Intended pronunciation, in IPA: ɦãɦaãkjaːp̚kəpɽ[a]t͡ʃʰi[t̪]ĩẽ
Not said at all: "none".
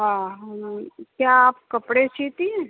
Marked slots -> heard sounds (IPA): e, t̪

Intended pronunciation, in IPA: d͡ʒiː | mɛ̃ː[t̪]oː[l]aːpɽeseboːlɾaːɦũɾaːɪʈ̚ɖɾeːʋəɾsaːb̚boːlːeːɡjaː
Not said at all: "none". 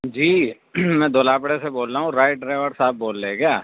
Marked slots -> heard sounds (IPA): d̪, l

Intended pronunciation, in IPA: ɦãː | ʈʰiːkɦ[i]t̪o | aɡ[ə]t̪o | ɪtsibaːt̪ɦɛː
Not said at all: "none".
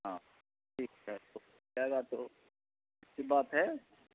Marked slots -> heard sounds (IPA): ɛ, a

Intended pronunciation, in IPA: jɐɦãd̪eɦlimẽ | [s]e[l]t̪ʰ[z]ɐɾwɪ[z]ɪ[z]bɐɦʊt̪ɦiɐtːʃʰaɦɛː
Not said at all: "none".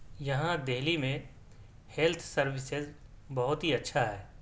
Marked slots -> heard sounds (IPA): h, l, s, s, z

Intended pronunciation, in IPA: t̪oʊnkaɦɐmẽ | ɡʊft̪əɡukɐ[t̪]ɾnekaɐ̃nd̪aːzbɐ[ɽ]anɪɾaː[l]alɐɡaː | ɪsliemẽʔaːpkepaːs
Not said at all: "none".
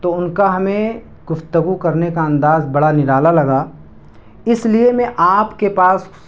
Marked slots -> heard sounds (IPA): none, ɽ, l

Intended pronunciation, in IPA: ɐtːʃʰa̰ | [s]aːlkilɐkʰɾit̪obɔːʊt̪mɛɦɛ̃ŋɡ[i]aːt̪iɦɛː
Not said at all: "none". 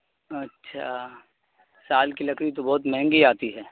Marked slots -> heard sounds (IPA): s, i

